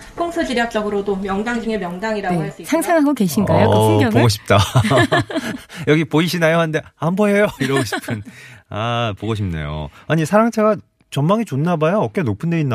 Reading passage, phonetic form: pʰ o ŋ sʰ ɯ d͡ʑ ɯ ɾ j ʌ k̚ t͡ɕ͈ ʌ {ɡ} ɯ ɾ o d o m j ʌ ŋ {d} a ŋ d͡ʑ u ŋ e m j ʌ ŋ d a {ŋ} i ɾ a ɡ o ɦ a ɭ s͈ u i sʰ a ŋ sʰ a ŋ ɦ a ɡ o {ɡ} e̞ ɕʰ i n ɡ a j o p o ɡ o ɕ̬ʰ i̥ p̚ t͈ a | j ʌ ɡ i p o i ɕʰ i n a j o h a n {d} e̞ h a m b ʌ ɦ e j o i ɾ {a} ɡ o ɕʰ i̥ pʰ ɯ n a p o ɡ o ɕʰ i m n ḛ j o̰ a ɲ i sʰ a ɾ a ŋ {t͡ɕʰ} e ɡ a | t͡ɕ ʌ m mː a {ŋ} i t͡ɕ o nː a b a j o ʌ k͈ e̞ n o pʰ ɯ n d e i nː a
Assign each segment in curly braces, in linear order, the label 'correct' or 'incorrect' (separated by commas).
correct, correct, correct, incorrect, correct, incorrect, correct, correct